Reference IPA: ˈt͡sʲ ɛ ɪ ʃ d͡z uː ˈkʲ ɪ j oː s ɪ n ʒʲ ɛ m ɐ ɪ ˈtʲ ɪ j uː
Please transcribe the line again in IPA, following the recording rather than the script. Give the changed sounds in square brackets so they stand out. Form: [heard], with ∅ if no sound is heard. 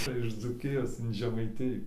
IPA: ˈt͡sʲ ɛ ɪ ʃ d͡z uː ˈkʲ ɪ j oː s ɪ n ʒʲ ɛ m ɐ ɪ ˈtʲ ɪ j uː